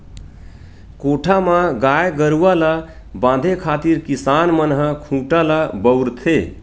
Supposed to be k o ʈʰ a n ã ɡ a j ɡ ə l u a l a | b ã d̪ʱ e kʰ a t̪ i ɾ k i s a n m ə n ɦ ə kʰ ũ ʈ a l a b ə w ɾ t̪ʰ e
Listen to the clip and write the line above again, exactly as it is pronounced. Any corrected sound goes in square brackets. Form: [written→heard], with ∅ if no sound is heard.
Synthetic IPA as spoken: k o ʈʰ a [n→m] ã ɡ a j ɡ ə [l→ɾ] u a l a | b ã d̪ʱ e kʰ a t̪ i ɾ k i s a n m ə n ɦ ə kʰ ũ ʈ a l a b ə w ɾ t̪ʰ e